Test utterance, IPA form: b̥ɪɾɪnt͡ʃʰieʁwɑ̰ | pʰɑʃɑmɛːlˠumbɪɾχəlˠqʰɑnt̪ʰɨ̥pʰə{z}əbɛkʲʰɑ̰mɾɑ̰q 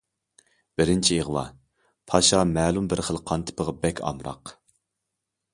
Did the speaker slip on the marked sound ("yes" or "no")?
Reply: yes